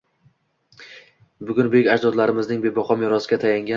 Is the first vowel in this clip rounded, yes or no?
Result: yes